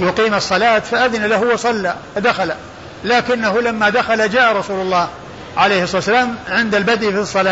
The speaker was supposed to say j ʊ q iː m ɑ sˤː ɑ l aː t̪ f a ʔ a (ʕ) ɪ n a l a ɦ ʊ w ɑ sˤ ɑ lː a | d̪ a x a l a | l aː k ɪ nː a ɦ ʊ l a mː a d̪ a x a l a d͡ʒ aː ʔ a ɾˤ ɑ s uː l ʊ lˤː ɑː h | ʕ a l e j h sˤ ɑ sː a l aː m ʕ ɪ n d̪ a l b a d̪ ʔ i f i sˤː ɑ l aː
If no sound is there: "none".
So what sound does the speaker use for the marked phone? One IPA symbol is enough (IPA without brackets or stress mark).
ð